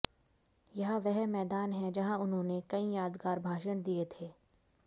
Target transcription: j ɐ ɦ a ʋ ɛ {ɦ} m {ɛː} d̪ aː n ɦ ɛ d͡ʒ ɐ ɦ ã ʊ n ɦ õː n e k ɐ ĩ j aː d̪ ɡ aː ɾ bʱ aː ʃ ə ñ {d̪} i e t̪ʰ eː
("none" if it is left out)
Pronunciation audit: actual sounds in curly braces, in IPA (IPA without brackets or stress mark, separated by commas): ɦ, ɛː, d̪